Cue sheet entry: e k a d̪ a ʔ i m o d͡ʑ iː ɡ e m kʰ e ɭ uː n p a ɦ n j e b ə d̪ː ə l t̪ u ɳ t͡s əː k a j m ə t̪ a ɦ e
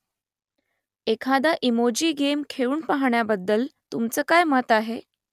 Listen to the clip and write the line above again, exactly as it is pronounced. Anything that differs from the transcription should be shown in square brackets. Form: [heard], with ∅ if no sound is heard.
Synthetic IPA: e [kʰ] a d̪ a ʔ i m o d͡ʑ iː ɡ e m kʰ e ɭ uː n p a ɦ [ɳ] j [a] b ə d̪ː ə l t̪ u [m] t͡s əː k a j m ə t̪ a ɦ e